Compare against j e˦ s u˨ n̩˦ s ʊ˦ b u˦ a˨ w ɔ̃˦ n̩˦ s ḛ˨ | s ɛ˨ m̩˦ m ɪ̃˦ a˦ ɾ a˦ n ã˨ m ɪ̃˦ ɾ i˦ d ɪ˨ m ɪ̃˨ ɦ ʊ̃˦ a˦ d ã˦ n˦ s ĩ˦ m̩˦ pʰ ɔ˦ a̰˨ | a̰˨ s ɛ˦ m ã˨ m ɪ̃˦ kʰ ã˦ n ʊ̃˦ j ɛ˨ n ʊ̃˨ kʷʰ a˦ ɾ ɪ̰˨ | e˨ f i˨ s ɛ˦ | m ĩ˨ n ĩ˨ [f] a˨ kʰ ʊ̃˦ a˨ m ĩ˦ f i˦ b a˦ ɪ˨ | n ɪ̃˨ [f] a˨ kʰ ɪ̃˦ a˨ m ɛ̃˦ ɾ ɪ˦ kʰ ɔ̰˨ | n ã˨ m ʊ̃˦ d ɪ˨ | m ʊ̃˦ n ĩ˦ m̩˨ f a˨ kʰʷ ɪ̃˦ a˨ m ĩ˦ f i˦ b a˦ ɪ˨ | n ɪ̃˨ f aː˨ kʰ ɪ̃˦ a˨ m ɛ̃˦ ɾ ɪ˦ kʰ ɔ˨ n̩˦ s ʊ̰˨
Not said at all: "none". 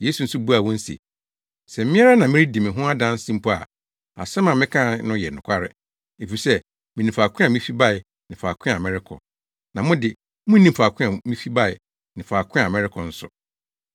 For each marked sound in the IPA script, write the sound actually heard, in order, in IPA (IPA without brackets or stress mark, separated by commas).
f, f